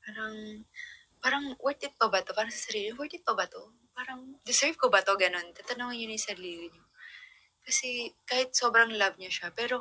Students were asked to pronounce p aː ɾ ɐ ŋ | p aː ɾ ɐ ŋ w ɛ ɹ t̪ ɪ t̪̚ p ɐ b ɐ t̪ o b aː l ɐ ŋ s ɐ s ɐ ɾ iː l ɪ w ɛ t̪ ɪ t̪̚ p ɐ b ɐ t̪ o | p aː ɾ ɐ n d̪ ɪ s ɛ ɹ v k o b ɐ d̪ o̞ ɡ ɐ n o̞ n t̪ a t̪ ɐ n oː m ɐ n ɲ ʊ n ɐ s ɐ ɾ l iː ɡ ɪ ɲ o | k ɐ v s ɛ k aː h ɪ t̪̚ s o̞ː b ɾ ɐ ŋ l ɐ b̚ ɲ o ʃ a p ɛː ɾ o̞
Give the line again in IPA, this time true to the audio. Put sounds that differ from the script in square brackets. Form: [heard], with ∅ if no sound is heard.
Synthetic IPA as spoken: p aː ɾ ɐ ŋ | p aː ɾ ɐ ŋ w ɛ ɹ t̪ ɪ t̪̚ p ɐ b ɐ t̪ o [p] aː [ɾ] ɐ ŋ s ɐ s ɐ ɾ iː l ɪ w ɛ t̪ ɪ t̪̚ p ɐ b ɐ t̪ o | p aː ɾ ɐ [ŋ] d̪ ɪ s ɛ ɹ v k o b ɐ [t̪] o̞ ɡ ɐ n o̞ n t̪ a t̪ ɐ n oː [ŋ] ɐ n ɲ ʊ n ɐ s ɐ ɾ l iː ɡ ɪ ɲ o | k ɐ [∅] s ɛ k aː h ɪ t̪̚ s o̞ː b ɾ ɐ ŋ l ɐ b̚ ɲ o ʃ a p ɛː ɾ o̞